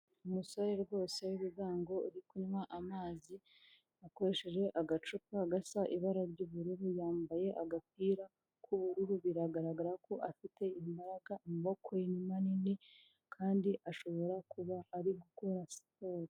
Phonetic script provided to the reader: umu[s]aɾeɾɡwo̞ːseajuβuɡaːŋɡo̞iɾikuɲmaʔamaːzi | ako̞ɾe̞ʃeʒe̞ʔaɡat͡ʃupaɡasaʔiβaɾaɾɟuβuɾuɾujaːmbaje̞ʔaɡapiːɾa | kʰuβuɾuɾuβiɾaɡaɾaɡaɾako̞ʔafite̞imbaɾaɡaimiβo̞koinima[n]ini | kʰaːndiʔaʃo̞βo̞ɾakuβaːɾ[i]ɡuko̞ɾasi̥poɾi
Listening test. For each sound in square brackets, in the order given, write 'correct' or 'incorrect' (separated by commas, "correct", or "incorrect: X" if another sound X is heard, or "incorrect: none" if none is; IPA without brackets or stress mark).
correct, correct, correct